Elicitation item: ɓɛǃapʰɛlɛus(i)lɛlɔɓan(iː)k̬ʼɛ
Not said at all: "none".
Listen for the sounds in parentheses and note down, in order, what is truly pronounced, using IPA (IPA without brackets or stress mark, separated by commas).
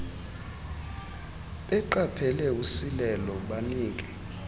i, iː